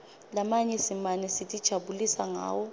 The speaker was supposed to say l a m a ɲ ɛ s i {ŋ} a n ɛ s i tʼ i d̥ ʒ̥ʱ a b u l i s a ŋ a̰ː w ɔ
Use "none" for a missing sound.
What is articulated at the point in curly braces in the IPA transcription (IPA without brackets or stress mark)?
m